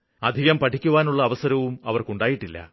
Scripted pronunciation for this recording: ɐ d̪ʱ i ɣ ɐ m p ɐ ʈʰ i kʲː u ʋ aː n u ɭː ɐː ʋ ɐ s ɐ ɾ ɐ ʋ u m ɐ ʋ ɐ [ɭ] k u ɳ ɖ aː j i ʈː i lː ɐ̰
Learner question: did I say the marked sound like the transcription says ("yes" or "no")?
no